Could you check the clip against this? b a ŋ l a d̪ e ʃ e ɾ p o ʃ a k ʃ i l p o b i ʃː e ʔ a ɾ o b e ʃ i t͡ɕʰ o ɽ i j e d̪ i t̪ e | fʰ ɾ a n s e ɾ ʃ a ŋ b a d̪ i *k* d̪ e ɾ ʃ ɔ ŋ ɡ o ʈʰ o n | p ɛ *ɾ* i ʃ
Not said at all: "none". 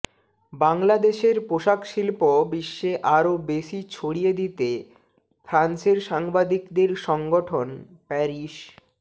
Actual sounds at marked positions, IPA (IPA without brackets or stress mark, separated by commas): k, ɾ